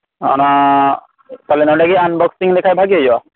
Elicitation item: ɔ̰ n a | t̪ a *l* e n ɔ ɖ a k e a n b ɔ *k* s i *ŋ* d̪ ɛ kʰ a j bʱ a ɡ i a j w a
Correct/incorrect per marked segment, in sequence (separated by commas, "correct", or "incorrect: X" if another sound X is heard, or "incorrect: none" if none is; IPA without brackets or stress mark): correct, correct, correct